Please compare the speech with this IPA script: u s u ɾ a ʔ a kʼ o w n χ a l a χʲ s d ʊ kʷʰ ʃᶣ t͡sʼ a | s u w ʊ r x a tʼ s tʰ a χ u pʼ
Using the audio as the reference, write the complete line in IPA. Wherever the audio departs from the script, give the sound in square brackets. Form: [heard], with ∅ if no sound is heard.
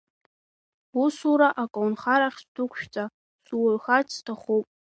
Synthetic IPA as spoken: u s u ɾ a ʔ a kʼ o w n χ a [ɾ] a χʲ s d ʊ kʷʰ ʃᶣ t͡sʼ a | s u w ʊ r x a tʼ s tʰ a χ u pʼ